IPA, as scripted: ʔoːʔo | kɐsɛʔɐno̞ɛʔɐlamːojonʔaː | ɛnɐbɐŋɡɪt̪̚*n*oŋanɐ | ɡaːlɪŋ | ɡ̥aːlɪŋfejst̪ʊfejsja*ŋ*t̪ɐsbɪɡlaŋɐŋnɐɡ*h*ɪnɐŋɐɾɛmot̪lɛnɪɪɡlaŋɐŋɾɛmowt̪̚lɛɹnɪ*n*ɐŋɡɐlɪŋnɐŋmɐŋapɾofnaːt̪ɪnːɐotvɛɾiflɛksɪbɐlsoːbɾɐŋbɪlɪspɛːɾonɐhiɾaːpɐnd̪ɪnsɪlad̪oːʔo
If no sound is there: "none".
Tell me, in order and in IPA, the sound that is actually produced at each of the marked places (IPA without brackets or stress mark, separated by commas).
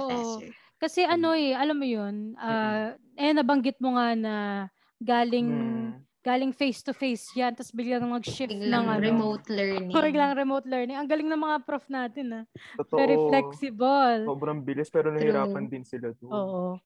m, n, ʃ, ŋ